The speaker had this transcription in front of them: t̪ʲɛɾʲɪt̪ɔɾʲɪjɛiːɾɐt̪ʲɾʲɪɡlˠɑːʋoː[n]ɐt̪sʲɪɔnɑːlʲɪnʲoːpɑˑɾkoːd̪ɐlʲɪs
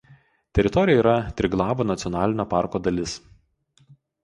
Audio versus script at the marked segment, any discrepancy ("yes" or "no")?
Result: no